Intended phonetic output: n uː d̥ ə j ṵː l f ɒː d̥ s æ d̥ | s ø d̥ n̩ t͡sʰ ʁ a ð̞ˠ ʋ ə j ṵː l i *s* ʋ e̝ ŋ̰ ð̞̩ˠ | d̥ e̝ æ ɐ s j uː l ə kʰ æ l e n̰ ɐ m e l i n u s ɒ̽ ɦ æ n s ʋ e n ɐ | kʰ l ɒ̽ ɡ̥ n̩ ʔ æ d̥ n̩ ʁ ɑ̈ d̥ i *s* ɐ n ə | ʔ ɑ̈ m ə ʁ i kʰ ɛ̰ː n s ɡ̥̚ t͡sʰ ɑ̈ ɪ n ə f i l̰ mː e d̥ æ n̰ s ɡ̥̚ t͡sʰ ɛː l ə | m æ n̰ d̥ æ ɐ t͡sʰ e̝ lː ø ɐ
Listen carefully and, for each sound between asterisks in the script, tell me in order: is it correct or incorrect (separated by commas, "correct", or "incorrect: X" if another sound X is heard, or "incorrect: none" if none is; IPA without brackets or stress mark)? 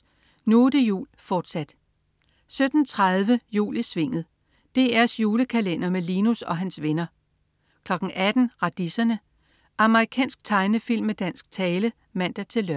correct, correct